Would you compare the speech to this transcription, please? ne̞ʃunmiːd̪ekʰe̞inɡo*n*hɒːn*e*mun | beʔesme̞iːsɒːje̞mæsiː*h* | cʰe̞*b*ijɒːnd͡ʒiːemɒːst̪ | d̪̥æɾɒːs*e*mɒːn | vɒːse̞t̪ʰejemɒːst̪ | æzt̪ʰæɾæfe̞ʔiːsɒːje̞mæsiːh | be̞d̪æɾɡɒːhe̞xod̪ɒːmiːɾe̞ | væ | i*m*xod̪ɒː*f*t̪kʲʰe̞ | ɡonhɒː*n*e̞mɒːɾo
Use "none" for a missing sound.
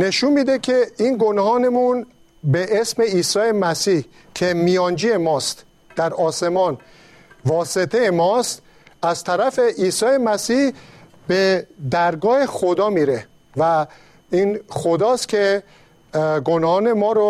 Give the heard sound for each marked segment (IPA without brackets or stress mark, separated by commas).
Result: n, e, h, m, e, n, s, n